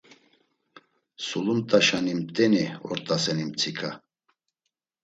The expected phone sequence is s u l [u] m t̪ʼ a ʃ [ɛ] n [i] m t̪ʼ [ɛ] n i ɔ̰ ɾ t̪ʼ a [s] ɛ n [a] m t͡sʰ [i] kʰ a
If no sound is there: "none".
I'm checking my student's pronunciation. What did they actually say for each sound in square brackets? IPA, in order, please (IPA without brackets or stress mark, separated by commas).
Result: u, a, i, ɛ, s, i, i